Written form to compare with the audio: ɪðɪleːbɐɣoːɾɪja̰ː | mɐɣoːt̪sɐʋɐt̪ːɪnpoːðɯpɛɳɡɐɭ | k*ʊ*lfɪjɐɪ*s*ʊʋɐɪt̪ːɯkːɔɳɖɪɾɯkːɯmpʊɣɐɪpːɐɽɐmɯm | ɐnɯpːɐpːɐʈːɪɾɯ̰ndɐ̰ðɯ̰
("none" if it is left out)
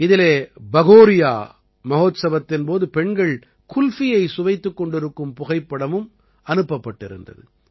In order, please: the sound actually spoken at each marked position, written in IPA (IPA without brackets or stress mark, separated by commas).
ʊ, s